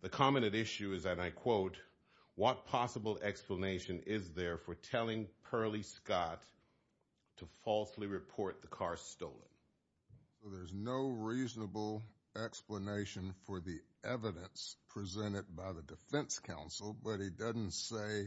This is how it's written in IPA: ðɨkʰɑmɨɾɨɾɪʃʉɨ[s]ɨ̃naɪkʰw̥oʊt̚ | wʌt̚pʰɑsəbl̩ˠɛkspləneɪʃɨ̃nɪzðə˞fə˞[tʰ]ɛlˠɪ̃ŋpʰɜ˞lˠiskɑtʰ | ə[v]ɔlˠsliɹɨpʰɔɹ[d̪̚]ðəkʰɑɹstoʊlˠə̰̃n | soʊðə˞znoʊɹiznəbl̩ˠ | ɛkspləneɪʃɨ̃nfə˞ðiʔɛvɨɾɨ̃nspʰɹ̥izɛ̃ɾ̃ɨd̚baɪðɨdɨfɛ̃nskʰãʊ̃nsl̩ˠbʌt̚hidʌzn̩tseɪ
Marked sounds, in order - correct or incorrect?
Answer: incorrect: z, correct, incorrect: f, incorrect: t̪̚

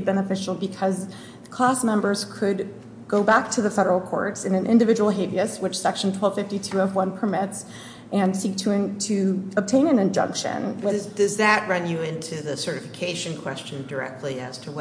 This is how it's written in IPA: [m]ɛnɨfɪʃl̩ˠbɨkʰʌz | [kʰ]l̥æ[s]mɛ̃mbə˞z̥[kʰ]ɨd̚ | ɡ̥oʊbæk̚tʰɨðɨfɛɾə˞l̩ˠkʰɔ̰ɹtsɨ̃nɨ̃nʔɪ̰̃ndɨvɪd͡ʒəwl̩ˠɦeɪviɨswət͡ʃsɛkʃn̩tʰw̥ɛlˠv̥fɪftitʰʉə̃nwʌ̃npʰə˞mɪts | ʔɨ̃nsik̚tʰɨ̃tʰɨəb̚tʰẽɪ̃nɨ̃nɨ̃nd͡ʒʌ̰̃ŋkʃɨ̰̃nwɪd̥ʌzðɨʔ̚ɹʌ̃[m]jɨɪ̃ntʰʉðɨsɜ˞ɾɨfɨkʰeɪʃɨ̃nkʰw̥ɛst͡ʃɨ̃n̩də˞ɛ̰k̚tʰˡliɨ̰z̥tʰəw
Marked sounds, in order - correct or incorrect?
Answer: incorrect: b, correct, correct, correct, incorrect: n

